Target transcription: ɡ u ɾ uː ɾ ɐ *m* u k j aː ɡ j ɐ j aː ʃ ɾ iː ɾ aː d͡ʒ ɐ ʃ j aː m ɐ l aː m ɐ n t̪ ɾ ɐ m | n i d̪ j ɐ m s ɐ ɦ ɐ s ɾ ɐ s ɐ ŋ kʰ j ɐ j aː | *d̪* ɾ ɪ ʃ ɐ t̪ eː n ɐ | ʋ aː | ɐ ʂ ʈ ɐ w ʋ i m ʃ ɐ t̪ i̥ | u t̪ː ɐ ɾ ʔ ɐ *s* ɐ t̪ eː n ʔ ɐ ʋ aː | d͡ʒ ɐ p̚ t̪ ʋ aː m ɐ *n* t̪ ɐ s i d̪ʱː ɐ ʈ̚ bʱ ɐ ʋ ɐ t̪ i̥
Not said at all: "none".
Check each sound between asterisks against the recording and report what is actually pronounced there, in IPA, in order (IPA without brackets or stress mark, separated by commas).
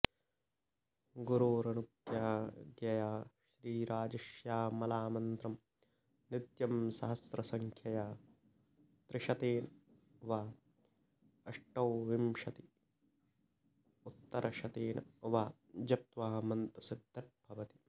n, t̪, ʃ, n